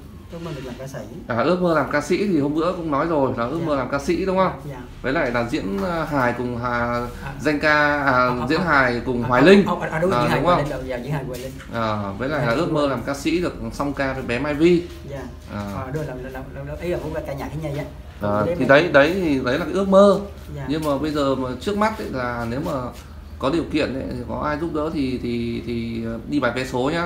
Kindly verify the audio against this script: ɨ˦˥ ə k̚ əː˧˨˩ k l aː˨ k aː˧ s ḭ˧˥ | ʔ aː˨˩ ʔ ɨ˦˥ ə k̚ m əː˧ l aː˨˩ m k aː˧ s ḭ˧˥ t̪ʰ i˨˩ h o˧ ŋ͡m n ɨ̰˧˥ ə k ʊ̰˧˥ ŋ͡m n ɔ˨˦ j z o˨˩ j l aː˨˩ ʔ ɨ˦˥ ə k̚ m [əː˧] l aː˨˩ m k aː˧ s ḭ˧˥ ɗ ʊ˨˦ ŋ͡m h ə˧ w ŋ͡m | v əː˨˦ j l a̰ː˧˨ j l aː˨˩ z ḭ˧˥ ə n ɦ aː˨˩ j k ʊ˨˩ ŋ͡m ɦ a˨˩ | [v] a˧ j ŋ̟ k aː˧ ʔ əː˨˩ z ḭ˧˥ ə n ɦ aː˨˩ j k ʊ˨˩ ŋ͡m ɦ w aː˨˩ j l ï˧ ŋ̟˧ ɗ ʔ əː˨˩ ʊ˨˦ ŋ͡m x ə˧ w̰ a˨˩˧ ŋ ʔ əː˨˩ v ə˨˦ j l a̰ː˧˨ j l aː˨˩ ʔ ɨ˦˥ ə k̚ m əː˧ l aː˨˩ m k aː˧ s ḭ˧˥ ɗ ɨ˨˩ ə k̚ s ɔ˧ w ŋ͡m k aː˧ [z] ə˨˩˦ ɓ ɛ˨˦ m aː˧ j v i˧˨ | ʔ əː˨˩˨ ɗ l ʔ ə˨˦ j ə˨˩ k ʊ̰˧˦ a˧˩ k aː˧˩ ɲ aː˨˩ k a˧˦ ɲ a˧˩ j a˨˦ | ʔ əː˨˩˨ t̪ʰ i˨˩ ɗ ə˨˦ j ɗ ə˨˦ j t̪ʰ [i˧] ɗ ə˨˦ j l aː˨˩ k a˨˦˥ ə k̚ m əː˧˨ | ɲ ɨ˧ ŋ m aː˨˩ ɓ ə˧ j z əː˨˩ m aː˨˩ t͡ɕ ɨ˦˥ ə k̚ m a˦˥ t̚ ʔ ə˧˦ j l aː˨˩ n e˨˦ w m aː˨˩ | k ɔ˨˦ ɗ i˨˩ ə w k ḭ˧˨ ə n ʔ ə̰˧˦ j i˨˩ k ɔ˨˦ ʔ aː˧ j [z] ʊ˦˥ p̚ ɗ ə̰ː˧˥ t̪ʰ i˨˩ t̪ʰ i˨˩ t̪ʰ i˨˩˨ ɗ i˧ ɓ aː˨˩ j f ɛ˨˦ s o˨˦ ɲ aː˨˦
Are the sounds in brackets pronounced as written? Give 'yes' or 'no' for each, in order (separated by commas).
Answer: yes, no, no, no, yes